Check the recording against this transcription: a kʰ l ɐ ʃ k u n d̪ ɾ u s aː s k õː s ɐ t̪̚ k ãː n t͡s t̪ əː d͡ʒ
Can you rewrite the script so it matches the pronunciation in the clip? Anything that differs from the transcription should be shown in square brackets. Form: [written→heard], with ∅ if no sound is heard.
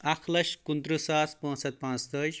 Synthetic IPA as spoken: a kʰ l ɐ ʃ k u n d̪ ɾ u s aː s [k→p] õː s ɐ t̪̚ [k→p] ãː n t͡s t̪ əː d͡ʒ